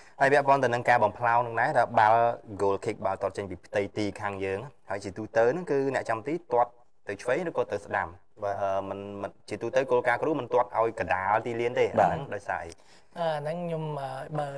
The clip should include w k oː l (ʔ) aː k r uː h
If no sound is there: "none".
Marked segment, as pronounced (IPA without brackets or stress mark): k